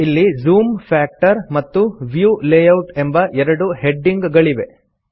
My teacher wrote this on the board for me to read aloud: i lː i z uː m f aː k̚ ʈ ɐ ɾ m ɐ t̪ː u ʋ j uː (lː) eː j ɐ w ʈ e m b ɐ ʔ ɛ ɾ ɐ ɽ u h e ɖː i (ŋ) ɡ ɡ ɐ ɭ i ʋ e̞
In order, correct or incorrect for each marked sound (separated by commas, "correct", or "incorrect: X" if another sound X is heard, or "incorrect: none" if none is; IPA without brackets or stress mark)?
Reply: incorrect: l, correct